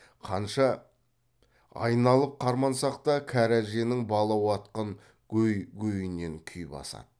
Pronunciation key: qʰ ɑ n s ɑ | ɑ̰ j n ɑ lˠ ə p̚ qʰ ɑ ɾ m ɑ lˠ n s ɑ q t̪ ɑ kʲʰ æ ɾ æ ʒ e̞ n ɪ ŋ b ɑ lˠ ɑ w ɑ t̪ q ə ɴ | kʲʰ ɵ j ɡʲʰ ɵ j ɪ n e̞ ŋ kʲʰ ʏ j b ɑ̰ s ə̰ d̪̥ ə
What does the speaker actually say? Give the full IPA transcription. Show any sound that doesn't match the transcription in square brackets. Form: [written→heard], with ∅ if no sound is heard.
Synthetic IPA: qʰ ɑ n [s→ʃ] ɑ | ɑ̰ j n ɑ lˠ ə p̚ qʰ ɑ ɾ m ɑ [lˠ→∅] n s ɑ q t̪ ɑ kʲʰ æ ɾ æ ʒ e̞ n ɪ ŋ b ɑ lˠ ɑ w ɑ t̪ q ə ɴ | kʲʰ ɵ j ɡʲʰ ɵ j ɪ n e̞ ŋ kʲʰ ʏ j b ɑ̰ s [ə̰→ɑ̰] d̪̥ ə